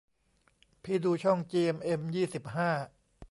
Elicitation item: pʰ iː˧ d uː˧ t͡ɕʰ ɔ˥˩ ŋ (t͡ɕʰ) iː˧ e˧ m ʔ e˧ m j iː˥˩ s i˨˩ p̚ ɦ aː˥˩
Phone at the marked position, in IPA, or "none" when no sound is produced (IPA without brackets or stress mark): t͡ɕ